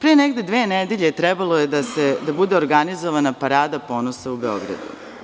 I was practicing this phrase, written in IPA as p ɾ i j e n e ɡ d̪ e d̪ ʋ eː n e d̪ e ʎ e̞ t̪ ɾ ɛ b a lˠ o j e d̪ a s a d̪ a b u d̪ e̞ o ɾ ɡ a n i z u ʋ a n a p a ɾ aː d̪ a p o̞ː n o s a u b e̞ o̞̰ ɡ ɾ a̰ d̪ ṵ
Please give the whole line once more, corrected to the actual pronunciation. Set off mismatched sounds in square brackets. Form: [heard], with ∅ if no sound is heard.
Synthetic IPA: p ɾ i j e n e ɡ d̪ e d̪ ʋ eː n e d̪ e ʎ e̞ t̪ ɾ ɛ b a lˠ o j e d̪ a s [e] d̪ a b u d̪ e̞ o ɾ ɡ a n i z [o] ʋ a n a p a ɾ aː d̪ a p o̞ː n o s a u b e̞ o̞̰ ɡ ɾ a̰ d̪ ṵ